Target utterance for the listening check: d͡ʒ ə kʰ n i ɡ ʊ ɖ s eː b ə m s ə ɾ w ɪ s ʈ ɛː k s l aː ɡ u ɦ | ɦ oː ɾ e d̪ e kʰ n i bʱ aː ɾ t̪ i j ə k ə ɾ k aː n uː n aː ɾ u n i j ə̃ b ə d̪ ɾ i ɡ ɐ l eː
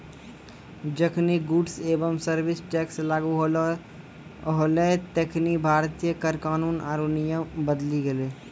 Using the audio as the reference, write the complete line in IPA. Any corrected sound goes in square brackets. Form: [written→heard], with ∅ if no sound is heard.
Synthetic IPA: d͡ʒ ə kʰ n i ɡ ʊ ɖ s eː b ə m s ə ɾ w ɪ s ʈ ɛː k s l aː ɡ u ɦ | ɦ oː [ɾ→l] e [d̪→t̪] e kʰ n i bʱ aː ɾ t̪ i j ə k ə ɾ k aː n uː n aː ɾ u n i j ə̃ b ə d̪ [ɾ→l] i ɡ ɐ l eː